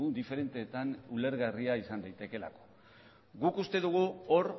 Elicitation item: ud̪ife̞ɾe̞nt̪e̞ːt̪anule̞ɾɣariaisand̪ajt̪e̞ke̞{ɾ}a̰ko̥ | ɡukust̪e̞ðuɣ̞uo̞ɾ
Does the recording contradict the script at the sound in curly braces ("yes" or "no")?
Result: yes